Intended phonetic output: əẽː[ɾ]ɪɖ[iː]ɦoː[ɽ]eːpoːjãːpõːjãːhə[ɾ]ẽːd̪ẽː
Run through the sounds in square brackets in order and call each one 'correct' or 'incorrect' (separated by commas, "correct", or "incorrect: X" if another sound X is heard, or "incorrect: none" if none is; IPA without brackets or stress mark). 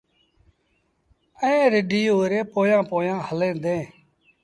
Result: correct, correct, incorrect: ɾ, incorrect: l